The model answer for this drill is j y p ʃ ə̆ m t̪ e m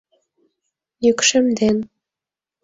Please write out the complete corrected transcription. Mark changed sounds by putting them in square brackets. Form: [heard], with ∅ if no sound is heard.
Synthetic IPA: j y [k] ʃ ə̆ m [d̪] e [n]